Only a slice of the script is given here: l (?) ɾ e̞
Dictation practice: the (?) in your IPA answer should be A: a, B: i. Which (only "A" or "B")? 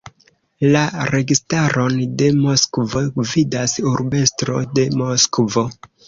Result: A